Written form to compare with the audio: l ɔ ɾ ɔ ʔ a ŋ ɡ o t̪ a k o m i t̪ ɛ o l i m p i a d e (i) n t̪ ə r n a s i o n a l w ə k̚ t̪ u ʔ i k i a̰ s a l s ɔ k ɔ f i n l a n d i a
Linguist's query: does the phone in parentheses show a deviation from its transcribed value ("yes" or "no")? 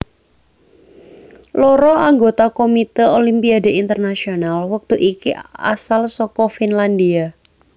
no